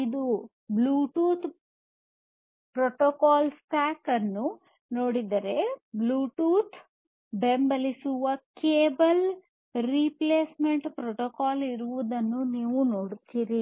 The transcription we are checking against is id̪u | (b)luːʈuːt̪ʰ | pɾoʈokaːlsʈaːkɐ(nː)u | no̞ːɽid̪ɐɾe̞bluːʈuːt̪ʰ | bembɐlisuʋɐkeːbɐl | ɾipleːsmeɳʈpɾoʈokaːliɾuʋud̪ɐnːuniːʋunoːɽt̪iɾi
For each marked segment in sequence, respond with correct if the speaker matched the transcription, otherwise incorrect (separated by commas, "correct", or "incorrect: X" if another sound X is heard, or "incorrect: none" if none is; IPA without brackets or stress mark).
correct, correct